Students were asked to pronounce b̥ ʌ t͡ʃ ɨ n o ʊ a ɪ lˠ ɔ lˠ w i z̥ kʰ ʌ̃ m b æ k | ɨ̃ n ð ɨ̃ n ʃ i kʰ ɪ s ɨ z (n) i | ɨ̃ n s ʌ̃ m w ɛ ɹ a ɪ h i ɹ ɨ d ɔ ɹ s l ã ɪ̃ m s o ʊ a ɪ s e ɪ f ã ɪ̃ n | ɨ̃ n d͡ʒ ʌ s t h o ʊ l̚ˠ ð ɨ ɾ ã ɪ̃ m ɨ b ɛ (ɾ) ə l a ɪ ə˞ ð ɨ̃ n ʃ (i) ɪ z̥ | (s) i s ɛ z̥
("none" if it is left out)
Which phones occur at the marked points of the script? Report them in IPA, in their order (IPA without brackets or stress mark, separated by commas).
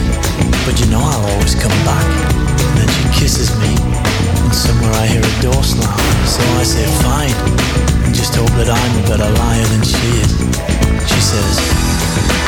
m, ɾ, i, ʃ